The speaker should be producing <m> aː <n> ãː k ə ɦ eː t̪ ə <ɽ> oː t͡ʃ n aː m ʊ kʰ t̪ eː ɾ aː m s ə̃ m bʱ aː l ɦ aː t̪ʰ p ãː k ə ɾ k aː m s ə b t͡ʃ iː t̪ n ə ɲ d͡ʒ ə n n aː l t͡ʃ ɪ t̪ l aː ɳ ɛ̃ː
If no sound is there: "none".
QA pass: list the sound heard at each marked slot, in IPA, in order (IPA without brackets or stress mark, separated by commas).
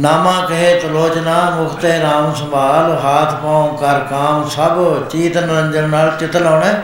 n, m, l